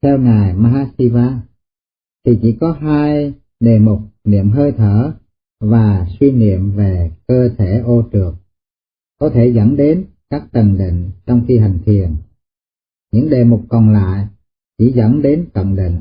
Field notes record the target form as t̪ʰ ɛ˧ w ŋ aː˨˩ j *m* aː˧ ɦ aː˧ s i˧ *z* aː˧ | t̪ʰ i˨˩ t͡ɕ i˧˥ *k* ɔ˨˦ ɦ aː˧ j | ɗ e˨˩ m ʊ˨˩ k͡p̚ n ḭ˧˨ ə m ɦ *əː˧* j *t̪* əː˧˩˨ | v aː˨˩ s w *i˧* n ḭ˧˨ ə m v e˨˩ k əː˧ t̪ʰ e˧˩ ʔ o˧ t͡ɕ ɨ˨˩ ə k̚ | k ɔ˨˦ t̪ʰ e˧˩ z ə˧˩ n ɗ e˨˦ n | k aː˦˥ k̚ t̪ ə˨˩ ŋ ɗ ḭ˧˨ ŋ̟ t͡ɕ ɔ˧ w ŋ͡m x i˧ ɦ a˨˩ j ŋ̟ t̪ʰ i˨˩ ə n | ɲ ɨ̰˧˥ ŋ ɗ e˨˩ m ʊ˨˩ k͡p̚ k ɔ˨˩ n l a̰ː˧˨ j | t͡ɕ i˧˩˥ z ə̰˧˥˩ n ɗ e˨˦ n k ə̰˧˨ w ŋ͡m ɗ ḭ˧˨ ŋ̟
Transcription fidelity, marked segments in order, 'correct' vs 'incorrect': correct, incorrect: v, correct, correct, incorrect: t̪ʰ, correct

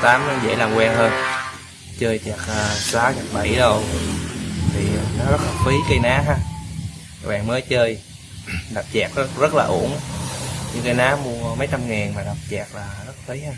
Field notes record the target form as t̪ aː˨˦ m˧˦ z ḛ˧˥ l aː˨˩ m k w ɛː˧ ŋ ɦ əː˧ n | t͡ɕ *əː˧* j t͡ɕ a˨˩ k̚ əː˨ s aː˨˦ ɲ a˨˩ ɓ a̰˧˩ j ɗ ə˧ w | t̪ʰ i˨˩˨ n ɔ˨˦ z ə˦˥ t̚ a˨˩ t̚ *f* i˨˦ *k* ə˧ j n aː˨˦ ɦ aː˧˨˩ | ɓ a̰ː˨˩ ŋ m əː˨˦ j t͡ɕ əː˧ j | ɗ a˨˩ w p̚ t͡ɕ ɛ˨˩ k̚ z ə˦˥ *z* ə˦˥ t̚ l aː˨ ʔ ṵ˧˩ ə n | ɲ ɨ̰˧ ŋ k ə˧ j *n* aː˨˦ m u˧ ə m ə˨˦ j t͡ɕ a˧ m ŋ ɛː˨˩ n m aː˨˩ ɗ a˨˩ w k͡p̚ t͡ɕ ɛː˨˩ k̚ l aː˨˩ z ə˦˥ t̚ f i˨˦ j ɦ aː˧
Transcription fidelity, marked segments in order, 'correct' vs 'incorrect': correct, correct, correct, correct, correct

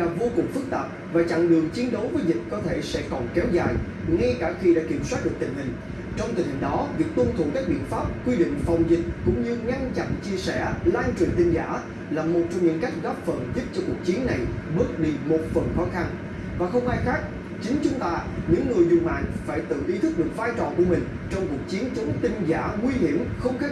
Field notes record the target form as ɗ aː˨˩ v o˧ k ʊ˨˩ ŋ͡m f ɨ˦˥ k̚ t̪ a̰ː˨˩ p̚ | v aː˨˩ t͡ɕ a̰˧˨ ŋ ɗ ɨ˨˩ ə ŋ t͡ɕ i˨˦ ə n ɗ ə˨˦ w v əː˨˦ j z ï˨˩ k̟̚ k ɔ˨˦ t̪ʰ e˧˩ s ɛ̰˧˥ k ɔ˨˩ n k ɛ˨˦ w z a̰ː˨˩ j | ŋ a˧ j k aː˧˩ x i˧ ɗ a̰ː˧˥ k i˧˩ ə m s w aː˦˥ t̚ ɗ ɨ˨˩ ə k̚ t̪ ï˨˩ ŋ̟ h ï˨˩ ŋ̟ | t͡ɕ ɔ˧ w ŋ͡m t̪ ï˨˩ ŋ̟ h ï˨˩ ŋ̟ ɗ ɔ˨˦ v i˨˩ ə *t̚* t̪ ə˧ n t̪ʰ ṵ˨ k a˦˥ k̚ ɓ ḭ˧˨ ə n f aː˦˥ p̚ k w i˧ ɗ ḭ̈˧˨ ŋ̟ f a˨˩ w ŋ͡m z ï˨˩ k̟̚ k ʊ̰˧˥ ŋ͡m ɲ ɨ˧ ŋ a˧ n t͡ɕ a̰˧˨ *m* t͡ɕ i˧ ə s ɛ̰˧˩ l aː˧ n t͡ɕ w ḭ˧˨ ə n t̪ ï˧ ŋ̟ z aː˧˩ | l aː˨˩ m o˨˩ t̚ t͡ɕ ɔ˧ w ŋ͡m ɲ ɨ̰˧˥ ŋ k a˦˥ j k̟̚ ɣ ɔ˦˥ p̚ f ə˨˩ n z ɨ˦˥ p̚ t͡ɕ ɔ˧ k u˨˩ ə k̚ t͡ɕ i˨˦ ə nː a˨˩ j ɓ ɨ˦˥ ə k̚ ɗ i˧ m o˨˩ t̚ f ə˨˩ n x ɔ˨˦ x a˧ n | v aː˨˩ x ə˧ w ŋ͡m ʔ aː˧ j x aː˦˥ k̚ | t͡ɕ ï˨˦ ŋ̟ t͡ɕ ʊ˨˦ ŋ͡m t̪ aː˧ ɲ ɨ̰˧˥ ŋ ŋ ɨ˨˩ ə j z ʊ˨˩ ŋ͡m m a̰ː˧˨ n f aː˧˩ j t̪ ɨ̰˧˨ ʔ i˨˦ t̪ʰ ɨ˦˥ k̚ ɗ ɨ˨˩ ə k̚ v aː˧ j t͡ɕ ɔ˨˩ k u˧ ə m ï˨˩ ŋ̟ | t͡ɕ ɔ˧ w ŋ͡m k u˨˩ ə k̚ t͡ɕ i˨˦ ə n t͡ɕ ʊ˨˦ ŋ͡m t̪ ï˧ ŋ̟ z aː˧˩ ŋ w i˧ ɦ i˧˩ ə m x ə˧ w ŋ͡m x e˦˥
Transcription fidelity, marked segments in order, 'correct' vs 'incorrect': incorrect: k̚, incorrect: n

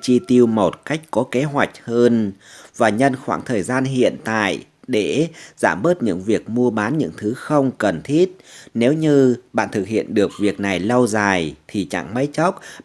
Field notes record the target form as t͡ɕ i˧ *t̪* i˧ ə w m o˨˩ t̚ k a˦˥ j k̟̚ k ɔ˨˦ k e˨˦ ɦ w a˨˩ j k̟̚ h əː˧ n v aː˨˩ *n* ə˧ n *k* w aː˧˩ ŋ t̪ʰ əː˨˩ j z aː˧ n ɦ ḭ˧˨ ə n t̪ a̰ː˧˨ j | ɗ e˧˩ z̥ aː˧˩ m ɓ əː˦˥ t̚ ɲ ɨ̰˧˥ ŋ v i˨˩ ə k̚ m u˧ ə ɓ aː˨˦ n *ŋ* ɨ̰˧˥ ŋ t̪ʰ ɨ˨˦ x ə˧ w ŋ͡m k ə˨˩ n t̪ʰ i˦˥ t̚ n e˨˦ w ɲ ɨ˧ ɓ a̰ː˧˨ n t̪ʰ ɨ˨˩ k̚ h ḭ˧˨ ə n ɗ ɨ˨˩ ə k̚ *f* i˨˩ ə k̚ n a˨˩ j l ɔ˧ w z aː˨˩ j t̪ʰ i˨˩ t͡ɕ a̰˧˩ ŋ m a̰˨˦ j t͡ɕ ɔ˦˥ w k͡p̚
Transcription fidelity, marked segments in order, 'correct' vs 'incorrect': correct, incorrect: ɲ, incorrect: x, incorrect: ɲ, incorrect: v

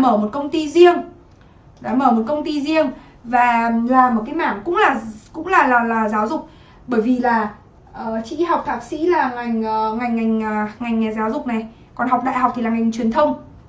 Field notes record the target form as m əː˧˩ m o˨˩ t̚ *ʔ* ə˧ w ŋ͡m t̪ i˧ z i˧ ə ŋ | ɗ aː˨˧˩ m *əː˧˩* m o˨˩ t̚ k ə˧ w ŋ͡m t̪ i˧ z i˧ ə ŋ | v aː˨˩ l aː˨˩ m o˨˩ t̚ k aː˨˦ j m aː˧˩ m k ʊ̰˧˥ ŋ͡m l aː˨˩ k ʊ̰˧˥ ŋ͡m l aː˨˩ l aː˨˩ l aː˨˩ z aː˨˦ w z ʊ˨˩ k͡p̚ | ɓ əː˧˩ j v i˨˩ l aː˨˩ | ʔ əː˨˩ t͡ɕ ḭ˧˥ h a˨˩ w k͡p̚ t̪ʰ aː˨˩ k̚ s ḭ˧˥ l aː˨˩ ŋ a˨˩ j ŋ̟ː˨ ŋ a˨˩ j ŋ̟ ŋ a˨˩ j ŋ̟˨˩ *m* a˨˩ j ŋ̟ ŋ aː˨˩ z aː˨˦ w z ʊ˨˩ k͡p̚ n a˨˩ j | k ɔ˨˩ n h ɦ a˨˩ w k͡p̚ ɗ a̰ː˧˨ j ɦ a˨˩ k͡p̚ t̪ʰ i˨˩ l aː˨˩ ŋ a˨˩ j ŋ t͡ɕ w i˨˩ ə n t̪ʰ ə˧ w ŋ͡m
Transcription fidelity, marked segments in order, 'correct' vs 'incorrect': incorrect: k, correct, incorrect: ŋ

